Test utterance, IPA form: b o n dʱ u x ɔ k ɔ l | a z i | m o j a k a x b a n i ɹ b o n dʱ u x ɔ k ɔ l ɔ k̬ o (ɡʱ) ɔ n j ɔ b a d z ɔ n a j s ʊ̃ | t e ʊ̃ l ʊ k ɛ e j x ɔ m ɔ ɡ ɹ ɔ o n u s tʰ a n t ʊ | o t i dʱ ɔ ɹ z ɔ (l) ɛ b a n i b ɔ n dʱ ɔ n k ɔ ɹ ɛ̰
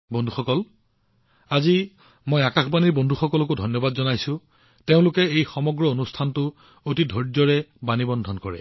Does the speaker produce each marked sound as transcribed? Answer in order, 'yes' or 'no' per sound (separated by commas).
no, no